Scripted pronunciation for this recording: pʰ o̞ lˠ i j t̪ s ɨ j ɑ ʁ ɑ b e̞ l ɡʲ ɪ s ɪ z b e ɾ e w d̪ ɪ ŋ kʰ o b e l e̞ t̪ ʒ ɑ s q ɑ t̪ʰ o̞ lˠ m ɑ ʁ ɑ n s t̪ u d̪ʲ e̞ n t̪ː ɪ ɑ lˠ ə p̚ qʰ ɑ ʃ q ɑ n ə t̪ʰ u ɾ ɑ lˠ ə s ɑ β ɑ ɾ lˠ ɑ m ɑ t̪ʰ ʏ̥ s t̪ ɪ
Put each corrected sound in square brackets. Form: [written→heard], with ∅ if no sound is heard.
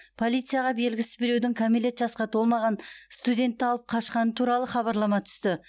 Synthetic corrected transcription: pʰ o̞ lˠ i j t̪ s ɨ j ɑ ʁ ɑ b e̞ l ɡʲ ɪ s ɪ z b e ɾ e w d̪ ɪ ŋ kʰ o [b→m] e l e̞ t̪ ʒ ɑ s q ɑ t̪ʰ o̞ lˠ m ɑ ʁ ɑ n s t̪ u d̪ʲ e̞ n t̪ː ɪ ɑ lˠ ə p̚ qʰ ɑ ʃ q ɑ n ə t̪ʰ u ɾ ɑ lˠ ə [s→χ] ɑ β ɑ ɾ lˠ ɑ m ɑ t̪ʰ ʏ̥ s t̪ ɪ